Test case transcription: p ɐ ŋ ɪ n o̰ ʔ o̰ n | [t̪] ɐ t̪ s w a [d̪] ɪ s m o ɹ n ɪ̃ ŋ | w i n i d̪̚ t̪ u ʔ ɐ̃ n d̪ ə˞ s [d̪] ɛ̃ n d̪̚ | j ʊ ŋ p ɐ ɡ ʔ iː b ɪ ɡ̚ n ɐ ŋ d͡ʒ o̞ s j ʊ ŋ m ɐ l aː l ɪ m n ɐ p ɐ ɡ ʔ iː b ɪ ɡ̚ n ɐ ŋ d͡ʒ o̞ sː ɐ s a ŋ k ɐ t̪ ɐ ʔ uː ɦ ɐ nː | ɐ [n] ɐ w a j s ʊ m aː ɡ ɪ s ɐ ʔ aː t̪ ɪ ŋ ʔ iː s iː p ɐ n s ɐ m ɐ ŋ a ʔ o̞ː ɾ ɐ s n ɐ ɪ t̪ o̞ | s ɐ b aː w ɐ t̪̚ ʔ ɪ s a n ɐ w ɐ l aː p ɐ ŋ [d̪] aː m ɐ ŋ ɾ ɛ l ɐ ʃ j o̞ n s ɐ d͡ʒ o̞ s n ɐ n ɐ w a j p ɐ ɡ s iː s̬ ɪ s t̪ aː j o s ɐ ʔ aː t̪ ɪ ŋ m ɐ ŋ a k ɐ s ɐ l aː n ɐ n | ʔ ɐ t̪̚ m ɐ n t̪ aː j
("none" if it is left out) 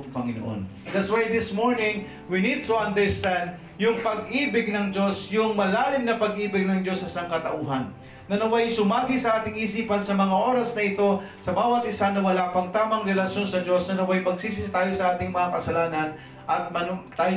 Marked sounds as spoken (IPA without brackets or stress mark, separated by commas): d̪, d̪, t̪, n, t̪